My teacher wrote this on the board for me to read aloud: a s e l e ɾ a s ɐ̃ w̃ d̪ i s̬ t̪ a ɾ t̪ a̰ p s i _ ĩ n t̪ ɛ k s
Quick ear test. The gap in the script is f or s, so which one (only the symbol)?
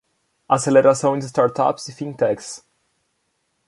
f